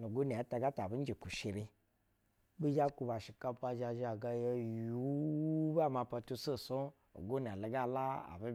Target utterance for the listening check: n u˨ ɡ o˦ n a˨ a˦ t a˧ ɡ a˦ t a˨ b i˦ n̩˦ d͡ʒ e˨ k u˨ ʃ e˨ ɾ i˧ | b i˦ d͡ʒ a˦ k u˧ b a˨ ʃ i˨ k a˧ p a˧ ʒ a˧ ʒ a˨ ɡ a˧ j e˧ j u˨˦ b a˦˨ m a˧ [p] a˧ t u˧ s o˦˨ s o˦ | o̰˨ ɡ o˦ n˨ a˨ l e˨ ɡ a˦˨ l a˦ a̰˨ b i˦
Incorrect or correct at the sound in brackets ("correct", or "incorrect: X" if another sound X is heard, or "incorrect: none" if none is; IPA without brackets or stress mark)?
correct